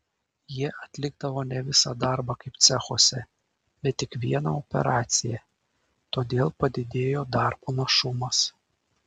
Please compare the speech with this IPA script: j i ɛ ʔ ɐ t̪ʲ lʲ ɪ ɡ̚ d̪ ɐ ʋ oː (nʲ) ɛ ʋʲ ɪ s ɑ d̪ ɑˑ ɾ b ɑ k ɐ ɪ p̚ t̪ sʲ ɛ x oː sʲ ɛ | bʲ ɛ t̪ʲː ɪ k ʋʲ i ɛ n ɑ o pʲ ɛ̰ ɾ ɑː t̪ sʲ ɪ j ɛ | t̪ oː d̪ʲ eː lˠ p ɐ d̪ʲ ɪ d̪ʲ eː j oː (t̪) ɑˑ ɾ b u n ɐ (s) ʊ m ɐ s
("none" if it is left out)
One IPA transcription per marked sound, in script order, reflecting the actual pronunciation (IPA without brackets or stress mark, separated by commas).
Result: nʲ, d̪, ʃ